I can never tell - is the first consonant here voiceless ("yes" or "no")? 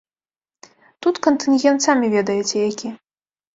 yes